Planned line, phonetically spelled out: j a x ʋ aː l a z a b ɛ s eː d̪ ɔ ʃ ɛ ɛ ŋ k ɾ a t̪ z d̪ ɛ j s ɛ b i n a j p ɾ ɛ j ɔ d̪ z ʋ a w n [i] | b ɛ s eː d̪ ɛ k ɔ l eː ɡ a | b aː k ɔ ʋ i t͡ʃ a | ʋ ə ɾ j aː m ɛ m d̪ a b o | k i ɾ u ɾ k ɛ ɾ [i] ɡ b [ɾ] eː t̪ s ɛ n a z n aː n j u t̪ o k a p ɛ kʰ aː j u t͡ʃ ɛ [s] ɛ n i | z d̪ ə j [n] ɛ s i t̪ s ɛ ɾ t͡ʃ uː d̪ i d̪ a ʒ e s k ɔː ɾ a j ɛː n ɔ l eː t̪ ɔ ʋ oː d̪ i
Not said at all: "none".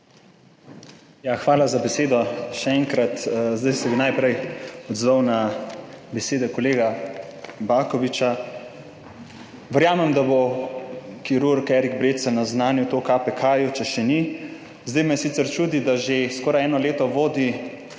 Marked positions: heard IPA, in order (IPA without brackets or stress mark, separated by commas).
a, i, ɾ, ʃ, m